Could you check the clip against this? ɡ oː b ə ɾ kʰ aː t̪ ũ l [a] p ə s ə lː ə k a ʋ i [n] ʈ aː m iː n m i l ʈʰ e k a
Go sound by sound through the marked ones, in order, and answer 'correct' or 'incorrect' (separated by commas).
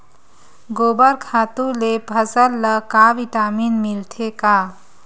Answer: incorrect, incorrect